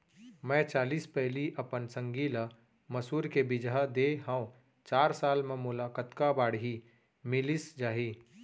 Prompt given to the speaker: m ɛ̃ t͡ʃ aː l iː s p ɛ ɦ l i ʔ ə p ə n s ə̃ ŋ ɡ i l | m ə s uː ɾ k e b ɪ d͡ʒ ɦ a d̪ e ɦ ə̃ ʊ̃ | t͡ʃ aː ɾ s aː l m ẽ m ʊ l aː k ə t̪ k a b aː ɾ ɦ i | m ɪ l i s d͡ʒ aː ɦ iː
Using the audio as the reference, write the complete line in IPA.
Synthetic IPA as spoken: m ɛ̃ t͡ʃ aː l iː s p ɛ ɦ l i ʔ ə p ə n s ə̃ ŋ ɡ i l | m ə s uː ɾ k e b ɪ d͡ʒ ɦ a d̪ e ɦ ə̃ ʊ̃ | t͡ʃ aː ɾ s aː l m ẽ m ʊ l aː k ə t̪ k a b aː ɽ ɦ i | m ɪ l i s d͡ʒ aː ɦ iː